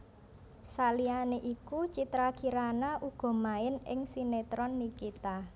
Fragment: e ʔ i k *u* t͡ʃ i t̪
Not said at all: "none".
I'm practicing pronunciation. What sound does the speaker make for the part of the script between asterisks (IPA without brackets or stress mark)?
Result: u